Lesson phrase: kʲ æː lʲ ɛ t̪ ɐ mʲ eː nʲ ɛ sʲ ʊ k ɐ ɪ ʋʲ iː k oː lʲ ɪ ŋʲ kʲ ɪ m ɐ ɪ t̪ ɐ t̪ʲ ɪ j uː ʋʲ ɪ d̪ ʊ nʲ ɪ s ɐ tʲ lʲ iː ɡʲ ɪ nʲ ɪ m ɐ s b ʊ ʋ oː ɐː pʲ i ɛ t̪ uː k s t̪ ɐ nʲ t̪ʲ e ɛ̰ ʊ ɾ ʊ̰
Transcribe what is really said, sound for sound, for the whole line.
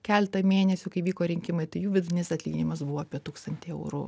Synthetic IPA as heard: kʲ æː lʲ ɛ t̪ ɐ mʲ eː nʲ ɛ sʲ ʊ k ɐ ɪ ʋʲ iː k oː ɾʲ ɪ ŋʲ kʲ ɪ m ɐ ɪ t̪ ɐ ɪ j uː ʋʲ ɪ d̪ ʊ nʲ ɪ s ɐ tʲ lʲ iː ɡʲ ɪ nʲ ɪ m ɐ s b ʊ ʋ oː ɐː pʲ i ɛ t̪ uː k s t̪ ɐ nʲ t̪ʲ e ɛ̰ ʊ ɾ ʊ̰